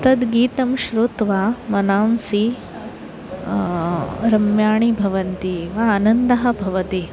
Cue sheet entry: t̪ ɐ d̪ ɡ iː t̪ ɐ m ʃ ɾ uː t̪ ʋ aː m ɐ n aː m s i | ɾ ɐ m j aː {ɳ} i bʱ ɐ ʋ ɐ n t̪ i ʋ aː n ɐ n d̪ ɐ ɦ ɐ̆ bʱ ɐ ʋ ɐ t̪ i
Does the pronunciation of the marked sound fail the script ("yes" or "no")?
no